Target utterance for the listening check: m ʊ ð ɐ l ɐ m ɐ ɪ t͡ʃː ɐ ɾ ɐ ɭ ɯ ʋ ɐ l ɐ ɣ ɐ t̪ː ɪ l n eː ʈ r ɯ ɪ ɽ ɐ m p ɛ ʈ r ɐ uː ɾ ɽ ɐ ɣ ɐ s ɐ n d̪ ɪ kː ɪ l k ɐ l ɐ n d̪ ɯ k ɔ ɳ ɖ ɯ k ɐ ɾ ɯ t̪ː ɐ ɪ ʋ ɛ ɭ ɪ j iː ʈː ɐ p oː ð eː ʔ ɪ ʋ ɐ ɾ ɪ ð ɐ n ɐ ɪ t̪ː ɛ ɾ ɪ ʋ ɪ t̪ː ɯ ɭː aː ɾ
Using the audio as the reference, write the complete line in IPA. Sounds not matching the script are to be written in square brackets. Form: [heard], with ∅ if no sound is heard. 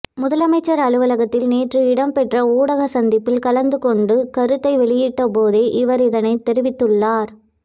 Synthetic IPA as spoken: m ʊ ð ɐ l ɐ m ɐ ɪ t͡ʃː ɐ ɾ ɐ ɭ ɯ ʋ ɐ l ɐ ɣ ɐ t̪ː ɪ l n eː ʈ r ɯ ɪ ɽ ɐ m p ɛ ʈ r ɐ uː [∅] ɽ ɐ ɣ ɐ s ɐ n d̪ ɪ [pː] ɪ l k ɐ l ɐ n d̪ ɯ k ɔ ɳ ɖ ɯ k ɐ ɾ ɯ t̪ː ɐ ɪ ʋ ɛ ɭ ɪ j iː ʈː ɐ p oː ð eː ʔ ɪ ʋ ɐ ɾ ɪ ð ɐ n ɐ ɪ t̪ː ɛ ɾ ɪ ʋ ɪ t̪ː ɯ ɭː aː ɾ